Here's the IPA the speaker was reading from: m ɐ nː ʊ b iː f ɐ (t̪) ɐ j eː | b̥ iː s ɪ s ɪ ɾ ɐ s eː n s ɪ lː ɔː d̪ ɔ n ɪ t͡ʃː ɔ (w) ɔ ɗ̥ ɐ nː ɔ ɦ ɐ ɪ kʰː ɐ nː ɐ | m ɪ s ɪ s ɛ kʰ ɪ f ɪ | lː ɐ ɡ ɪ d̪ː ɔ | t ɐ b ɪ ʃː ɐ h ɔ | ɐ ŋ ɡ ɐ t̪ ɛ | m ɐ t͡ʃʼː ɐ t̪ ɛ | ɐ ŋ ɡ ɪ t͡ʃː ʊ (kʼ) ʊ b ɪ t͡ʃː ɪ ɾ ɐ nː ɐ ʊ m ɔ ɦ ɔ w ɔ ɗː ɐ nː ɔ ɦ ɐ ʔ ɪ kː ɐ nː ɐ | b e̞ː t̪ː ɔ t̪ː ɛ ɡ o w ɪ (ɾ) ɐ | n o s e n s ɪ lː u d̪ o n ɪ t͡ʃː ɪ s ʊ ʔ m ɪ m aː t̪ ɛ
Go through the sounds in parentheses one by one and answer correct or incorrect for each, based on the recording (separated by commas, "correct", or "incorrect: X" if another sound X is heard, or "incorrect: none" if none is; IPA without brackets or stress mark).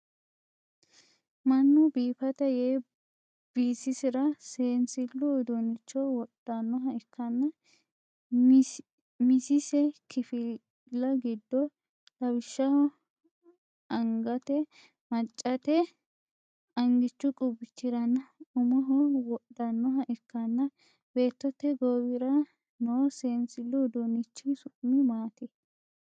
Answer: correct, correct, correct, correct